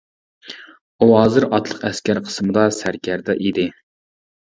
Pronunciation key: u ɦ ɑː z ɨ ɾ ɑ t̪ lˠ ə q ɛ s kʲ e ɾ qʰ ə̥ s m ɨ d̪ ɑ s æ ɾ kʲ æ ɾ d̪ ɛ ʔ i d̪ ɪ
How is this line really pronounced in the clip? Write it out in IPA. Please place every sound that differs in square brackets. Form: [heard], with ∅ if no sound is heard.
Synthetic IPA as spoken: u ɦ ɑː z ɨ ɾ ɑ t̪ lˠ ə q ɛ s kʲ [æ] ɾ qʰ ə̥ s m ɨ d̪ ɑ s æ ɾ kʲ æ ɾ d̪ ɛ ʔ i d̪ ɪ